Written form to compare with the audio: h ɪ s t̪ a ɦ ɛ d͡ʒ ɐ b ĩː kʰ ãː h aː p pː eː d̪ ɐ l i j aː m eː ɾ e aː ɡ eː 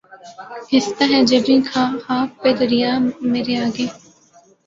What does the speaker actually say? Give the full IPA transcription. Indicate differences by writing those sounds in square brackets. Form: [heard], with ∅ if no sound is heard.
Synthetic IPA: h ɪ s t̪ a ɦ ɛ d͡ʒ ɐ b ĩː kʰ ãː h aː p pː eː d̪ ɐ [ɾ] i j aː m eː ɾ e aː ɡ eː